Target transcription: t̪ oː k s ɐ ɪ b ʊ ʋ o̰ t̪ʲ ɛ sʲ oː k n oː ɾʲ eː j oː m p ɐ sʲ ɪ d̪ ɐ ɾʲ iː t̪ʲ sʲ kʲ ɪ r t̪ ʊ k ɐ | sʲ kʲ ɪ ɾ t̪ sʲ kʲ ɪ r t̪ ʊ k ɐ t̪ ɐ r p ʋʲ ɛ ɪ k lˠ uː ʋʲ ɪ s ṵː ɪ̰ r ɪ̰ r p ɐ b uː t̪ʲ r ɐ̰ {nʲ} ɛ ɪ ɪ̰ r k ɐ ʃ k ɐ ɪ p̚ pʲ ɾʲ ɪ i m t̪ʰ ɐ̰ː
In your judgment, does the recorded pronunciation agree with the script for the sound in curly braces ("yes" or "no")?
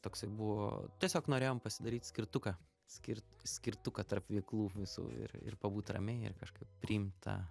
no